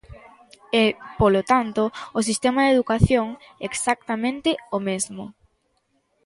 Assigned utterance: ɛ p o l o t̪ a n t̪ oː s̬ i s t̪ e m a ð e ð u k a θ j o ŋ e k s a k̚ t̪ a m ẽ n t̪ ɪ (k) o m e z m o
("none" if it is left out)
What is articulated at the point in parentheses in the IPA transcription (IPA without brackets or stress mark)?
none